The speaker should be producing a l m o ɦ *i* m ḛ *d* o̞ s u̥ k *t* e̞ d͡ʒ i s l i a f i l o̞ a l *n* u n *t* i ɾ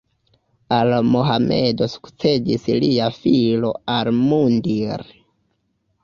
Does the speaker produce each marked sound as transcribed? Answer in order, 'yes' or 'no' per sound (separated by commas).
no, yes, no, no, no